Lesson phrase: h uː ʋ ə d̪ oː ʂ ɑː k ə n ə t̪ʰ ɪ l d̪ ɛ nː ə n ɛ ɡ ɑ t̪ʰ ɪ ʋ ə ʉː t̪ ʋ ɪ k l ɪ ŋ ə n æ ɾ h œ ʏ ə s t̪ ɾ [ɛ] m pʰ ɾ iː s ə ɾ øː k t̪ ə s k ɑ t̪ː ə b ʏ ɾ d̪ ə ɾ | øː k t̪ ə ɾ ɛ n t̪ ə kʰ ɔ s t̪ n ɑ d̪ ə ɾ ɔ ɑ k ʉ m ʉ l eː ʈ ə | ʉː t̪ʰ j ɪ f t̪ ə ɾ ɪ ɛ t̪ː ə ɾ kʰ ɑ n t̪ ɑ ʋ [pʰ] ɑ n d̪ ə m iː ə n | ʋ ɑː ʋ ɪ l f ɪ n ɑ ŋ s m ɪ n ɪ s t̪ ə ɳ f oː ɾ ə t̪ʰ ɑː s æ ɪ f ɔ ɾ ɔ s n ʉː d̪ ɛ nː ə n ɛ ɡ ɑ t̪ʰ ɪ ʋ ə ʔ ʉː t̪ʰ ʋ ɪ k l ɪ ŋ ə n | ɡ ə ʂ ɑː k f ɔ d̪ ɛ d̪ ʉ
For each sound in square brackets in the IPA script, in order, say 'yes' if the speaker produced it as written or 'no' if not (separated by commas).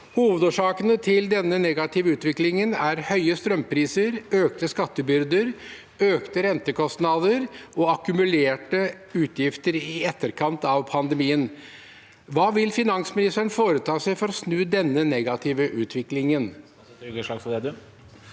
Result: no, yes